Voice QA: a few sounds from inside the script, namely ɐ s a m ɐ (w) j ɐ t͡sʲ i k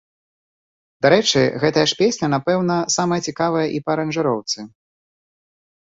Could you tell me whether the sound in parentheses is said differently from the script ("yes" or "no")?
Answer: yes